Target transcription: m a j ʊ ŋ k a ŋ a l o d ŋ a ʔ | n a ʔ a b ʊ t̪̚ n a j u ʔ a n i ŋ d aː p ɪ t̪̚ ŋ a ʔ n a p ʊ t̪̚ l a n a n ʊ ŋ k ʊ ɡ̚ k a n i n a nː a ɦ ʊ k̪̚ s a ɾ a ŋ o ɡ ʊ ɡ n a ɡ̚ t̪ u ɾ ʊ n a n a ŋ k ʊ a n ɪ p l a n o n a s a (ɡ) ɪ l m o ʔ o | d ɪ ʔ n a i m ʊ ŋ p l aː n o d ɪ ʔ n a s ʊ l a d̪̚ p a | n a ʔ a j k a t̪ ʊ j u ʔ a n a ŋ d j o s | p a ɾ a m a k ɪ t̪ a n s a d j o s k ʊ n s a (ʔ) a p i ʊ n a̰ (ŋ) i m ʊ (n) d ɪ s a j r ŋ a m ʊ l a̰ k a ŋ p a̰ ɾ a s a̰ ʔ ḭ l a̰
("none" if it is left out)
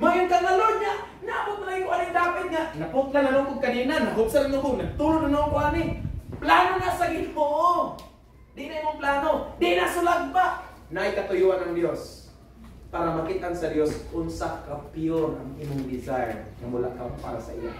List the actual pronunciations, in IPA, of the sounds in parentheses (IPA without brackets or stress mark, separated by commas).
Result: ɡ, k, ŋ, ŋ